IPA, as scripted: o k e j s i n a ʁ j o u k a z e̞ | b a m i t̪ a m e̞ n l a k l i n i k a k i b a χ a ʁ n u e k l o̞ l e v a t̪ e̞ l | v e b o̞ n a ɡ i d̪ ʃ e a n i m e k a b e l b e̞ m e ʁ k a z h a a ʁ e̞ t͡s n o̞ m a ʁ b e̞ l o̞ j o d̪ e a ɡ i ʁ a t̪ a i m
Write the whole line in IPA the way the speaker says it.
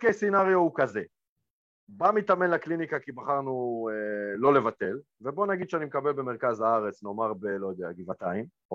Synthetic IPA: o k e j s i n a ʁ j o u k a z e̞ | b a m i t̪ a m e̞ n l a k l i n i k a k i b a χ a ʁ n u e l o̞ l e v a t̪ e̞ l | v e b o̞ n a ɡ i d̪ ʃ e a n i m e k a b e l b e̞ m e ʁ k a z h a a ʁ e̞ t͡s n o̞ m a ʁ b e̞ l o̞ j o d̪ e a ɡ i v a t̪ a i m